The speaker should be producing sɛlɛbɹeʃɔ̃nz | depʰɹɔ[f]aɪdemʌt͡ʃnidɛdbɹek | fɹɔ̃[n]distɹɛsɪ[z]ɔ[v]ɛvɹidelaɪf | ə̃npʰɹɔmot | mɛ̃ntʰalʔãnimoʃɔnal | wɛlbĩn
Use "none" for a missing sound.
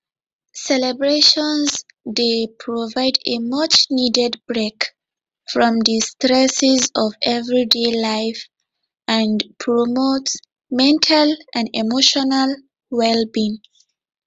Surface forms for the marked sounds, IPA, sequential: v, m, z, v

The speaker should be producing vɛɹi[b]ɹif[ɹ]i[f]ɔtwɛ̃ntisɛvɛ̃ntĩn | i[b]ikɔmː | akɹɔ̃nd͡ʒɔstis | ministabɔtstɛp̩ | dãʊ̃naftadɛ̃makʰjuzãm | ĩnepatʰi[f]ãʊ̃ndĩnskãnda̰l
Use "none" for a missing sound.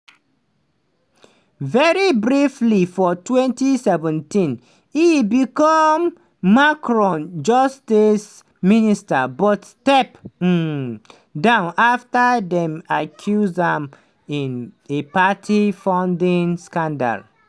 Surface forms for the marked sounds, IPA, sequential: b, l, f, b, f

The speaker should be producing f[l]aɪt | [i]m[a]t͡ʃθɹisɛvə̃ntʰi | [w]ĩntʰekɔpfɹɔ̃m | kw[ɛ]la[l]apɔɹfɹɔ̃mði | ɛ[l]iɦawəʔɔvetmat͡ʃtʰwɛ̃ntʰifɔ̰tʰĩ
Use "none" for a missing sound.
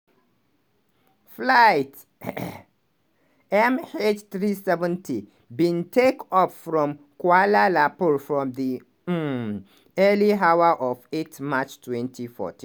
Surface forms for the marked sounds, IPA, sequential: l, ɛ, e, b, a, l, l

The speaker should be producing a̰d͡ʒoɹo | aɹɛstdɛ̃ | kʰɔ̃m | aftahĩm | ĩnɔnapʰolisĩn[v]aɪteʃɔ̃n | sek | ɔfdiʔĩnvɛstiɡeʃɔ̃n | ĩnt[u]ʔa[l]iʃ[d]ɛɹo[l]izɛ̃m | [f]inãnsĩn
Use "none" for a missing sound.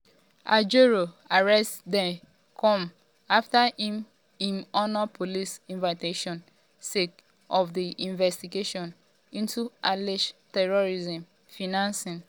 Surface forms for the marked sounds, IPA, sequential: v, u, l, t, ɹ, f

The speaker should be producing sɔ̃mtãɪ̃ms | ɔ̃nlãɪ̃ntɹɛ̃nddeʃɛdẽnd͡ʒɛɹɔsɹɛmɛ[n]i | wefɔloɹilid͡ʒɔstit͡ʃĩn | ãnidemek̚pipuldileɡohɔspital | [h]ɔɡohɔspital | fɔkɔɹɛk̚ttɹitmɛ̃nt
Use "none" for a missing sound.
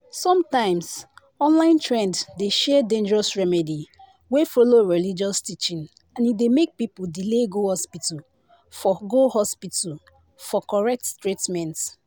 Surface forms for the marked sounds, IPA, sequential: d, f

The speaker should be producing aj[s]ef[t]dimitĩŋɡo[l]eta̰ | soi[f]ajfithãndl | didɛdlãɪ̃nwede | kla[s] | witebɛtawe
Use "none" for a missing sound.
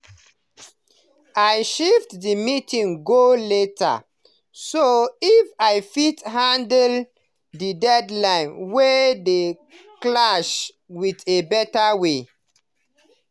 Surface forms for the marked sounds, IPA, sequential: ʃ, t, l, f, ʃ

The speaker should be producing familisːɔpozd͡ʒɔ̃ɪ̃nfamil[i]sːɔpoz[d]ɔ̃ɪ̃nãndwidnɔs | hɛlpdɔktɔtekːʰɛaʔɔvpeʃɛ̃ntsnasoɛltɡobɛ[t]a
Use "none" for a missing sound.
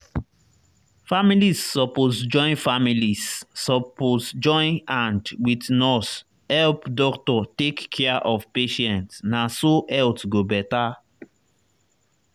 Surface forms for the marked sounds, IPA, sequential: i, d͡ʒ, t

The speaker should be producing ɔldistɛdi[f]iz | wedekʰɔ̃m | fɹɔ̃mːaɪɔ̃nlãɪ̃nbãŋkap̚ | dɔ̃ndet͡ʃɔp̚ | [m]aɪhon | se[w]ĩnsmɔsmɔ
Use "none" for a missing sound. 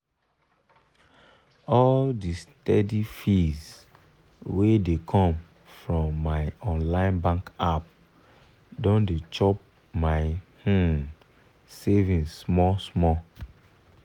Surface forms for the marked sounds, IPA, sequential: f, m, v

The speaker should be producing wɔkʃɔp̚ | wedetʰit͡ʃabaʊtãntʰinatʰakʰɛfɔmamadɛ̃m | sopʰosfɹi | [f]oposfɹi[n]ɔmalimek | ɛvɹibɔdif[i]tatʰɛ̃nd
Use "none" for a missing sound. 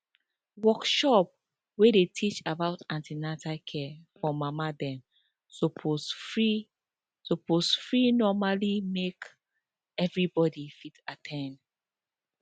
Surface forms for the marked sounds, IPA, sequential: s, n, i

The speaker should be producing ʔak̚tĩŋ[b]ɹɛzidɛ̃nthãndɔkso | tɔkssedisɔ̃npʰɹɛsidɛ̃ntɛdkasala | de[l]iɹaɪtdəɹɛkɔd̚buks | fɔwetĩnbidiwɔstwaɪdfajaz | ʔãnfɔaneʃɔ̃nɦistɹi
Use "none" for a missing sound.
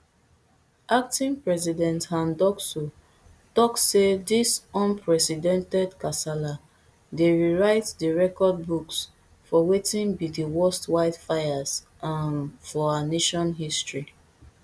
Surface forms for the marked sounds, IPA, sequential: p, ɹ

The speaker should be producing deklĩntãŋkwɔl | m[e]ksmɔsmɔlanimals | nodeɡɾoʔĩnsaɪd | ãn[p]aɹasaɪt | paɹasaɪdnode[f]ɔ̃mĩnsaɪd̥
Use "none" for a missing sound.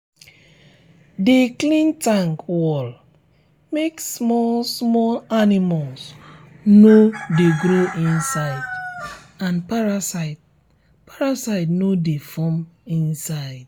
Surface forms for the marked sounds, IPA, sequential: e, p, f

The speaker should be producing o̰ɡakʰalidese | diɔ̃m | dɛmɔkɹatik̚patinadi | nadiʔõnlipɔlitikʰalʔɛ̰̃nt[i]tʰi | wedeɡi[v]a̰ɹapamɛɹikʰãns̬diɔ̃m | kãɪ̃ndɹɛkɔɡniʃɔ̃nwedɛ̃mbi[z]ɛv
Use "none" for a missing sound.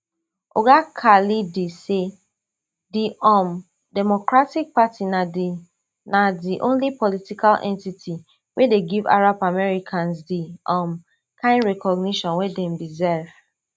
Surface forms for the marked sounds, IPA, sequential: i, v, z

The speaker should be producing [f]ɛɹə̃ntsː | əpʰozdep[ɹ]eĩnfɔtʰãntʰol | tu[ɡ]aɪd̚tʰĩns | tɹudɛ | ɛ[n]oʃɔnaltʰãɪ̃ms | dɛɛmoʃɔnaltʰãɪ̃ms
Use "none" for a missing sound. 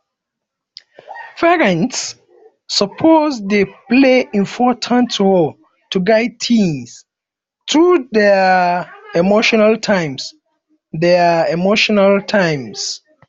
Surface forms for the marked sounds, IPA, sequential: f, l, ɡ, m

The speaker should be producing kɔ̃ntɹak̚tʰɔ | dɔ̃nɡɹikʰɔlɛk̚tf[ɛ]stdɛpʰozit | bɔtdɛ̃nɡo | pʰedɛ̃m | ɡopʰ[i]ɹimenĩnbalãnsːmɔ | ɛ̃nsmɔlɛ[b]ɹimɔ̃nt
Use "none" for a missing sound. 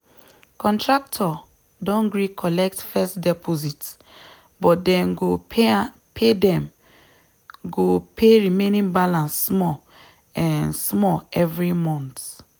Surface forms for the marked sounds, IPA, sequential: ɛ, e, v

